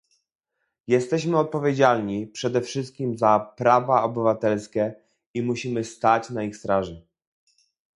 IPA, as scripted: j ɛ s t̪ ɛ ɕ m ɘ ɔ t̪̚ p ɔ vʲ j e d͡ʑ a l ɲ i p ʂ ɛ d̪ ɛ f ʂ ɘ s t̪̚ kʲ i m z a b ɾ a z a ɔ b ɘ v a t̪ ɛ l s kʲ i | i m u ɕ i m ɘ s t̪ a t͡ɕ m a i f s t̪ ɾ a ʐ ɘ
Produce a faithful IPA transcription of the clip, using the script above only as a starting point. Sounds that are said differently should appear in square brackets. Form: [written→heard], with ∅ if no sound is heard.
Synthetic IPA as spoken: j ɛ s t̪ ɛ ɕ m ɘ ɔ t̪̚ p ɔ vʲ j e d͡ʑ a l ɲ i p ʂ ɛ d̪ ɛ f ʂ ɘ s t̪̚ kʲ i m z a [b→p] ɾ a [z→v] a ɔ b ɘ v a t̪ ɛ l s kʲ [i→ɛ] | i m u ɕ i m ɘ s t̪ a t͡ɕ [m→n] a i [f→x] s t̪ ɾ a ʐ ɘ